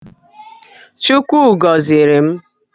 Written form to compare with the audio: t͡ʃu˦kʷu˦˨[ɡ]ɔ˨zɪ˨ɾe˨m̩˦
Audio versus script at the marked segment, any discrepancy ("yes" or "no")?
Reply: no